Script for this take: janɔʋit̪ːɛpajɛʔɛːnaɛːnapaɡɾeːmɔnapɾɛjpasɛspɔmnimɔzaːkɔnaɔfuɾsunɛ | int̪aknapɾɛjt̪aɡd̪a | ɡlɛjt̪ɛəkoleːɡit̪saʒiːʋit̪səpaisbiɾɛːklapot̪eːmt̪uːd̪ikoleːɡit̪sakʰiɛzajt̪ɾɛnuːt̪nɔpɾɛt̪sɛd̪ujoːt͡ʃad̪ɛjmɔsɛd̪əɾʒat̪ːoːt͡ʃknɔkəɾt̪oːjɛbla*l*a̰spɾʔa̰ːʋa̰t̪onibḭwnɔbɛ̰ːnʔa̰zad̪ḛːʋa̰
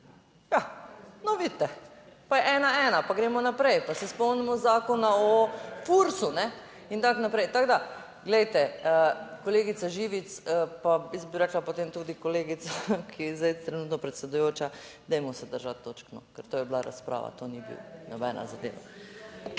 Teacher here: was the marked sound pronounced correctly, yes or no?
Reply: no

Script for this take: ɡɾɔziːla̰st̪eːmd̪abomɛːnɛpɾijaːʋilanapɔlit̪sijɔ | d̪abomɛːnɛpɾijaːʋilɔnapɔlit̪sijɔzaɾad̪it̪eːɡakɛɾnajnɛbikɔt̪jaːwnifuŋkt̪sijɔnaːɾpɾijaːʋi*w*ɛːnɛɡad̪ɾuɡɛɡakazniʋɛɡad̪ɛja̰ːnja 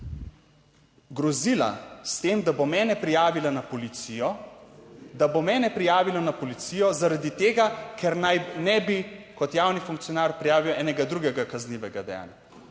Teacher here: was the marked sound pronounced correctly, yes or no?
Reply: yes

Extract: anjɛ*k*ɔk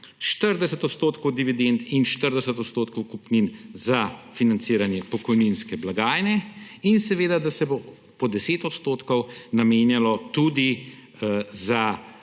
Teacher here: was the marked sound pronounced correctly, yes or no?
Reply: no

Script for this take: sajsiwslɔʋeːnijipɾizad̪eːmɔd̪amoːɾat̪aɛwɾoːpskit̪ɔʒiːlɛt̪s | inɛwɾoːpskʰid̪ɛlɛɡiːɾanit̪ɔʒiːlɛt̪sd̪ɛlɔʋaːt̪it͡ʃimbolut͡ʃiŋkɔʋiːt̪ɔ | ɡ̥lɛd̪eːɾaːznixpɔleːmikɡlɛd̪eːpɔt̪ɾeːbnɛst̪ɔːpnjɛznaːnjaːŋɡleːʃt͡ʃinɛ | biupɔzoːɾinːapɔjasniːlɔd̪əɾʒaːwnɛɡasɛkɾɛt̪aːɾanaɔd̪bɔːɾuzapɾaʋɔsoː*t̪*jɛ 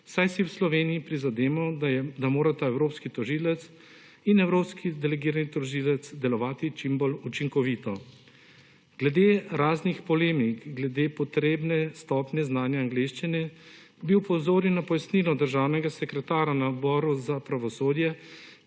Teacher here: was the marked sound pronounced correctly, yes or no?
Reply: no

